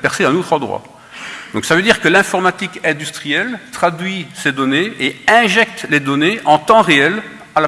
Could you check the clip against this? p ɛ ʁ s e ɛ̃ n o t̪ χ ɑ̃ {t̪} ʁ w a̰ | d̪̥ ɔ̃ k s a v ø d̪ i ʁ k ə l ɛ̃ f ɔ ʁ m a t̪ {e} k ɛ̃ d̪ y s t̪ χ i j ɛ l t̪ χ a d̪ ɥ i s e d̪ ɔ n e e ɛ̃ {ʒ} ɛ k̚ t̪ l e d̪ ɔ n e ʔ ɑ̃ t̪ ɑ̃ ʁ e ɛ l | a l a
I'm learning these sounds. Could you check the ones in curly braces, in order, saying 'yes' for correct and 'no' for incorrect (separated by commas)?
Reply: no, no, yes